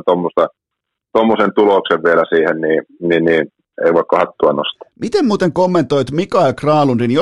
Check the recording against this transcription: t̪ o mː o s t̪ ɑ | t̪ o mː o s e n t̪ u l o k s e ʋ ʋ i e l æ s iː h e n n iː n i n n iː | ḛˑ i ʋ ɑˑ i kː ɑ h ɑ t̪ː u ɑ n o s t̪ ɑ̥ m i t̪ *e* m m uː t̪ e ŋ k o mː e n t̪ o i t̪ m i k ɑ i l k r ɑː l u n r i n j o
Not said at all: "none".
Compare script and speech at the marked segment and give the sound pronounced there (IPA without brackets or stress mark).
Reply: e